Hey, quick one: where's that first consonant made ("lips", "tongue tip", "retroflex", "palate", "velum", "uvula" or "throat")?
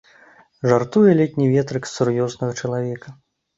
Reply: retroflex